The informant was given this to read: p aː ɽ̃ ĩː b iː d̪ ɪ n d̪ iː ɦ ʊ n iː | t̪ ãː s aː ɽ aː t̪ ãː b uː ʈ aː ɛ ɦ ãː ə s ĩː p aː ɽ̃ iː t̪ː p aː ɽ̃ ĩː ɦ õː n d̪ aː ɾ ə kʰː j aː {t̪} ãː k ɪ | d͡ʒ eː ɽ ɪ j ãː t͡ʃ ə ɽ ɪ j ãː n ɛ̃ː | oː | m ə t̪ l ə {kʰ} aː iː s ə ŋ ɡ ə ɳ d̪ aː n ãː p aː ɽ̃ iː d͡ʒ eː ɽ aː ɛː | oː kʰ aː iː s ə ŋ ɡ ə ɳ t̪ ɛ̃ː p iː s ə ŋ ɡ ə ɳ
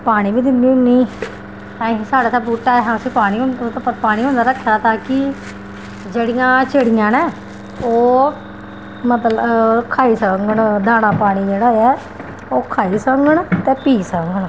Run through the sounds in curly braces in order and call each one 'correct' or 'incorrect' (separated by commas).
correct, correct